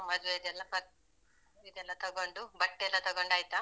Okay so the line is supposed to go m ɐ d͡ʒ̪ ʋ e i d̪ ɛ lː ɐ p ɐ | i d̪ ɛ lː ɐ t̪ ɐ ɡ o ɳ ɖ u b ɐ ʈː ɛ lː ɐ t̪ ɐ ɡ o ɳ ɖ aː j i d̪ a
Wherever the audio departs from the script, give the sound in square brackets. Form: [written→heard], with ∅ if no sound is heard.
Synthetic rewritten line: m ɐ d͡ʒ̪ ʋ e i d̪ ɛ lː ɐ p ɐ | i d̪ ɛ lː ɐ t̪ ɐ ɡ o ɳ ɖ u b ɐ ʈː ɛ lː ɐ t̪ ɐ ɡ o ɳ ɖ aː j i [d̪→t̪] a